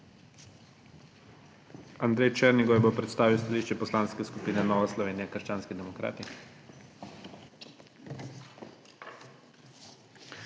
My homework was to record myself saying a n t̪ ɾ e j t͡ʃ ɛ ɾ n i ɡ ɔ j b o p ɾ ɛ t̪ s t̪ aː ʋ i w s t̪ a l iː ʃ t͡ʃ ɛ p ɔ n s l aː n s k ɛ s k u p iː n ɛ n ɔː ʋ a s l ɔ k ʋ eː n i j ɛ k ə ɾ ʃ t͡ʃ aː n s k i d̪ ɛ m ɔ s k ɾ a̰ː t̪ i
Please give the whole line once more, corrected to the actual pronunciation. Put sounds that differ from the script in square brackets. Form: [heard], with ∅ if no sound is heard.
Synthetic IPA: a n [d̪] ɾ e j t͡ʃ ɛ ɾ n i ɡ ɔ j b o p ɾ ɛ t̪ s t̪ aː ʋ i w s t̪ a l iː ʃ t͡ʃ ɛ p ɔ [∅] s l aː n s k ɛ s k u p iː n ɛ n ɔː ʋ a s l ɔ [∅] ʋ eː n i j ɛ k ə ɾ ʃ t͡ʃ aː n s k i d̪ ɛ m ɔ [∅] k ɾ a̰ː t̪ i

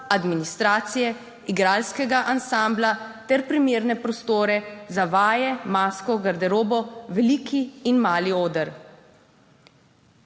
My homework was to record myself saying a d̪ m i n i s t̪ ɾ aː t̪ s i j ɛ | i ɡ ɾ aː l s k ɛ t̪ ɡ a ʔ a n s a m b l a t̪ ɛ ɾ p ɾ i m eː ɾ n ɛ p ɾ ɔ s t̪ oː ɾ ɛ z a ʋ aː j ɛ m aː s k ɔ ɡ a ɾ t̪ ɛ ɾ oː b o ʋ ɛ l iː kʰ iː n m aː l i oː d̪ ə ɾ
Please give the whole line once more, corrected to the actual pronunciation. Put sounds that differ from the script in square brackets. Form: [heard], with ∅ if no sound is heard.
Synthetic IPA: a d̪ m i n i s t̪ ɾ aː t̪ s i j ɛ | i ɡ ɾ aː l s k ɛ [∅] ɡ a ʔ a n s a m b l a t̪ ɛ ɾ p ɾ i m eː ɾ n ɛ p ɾ ɔ s t̪ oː ɾ ɛ z a ʋ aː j ɛ m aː s k ɔ ɡ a ɾ [d̪] ɛ ɾ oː b [ɔ] ʋ ɛ l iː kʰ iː n m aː l i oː d̪ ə ɾ

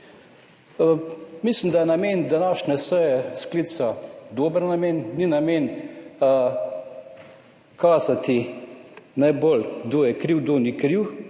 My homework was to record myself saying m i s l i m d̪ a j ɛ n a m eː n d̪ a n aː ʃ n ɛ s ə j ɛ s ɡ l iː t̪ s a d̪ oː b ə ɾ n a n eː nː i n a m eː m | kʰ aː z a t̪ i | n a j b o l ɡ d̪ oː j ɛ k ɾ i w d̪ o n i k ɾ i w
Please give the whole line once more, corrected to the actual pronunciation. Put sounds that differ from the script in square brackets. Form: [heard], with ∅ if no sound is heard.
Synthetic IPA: m i s l i m d̪ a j ɛ n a m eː n d̪ a n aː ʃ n ɛ s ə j ɛ s [k] l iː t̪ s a d̪ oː b ə ɾ n a [m] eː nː i n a m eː [n] | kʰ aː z a t̪ i | n a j b o l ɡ d̪ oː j ɛ k ɾ i w d̪ o n i k ɾ i w

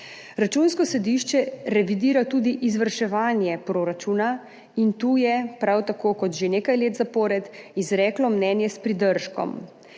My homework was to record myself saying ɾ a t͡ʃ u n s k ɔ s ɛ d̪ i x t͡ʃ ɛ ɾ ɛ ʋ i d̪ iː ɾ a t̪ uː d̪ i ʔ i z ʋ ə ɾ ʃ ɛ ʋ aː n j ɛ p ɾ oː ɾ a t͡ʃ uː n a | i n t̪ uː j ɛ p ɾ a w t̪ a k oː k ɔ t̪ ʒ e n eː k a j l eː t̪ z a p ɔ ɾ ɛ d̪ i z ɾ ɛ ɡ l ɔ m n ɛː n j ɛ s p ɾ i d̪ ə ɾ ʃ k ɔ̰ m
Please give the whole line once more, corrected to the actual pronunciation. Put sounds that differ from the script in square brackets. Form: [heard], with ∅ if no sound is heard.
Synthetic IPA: ɾ a t͡ʃ u n s k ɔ s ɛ d̪ i [ʃ] t͡ʃ ɛ ɾ ɛ ʋ i d̪ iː ɾ a t̪ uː d̪ i ʔ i z ʋ ə ɾ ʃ ɛ ʋ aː n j ɛ p ɾ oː ɾ a t͡ʃ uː n a | i n t̪ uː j ɛ p ɾ a w t̪ a k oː k ɔ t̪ ʒ e n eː k a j l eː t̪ z a p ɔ ɾ ɛ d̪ i z ɾ ɛ [k] l ɔ m n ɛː n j ɛ s p ɾ i d̪ ə ɾ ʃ k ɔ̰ m

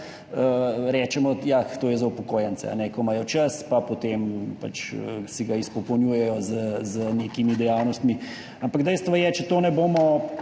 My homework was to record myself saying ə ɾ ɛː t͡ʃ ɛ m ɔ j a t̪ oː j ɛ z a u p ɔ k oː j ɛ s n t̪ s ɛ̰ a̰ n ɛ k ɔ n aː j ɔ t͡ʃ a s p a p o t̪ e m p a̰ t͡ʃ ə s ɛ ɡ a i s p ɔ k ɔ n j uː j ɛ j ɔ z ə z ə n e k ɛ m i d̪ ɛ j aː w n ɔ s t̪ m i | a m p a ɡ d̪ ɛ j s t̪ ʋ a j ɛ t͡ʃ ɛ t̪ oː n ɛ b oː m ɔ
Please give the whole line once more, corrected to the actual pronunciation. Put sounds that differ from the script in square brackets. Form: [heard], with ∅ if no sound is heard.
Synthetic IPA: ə ɾ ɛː t͡ʃ ɛ m ɔ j a t̪ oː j ɛ z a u p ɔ k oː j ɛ [∅] n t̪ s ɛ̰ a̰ n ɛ k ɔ [m] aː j ɔ t͡ʃ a s p a p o t̪ e m p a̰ t͡ʃ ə s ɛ ɡ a i s p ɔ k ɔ n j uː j ɛ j ɔ z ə z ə n e k [i] m i d̪ ɛ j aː w n ɔ s t̪ m i | a m p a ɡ d̪ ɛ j s t̪ ʋ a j ɛ t͡ʃ ɛ t̪ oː n ɛ b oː m ɔ

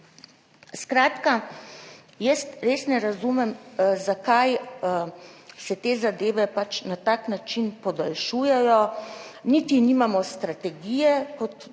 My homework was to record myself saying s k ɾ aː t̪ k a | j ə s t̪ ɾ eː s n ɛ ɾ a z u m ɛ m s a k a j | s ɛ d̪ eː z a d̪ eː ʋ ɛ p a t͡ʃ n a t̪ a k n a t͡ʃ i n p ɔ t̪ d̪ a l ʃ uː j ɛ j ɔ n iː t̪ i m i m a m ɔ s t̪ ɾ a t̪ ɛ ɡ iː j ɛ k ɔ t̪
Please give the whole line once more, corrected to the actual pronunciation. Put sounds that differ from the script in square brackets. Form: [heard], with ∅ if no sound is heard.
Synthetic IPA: s k ɾ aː t̪ k a | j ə s t̪ ɾ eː s n ɛ ɾ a z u m ɛ m [z] a k a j | s ɛ [t̪] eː z a d̪ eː ʋ ɛ p a t͡ʃ n a t̪ a k n a t͡ʃ i n p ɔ [∅] d̪ a l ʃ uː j ɛ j ɔ n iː t̪ i [n] i m a m ɔ s t̪ ɾ a t̪ ɛ ɡ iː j ɛ k ɔ t̪

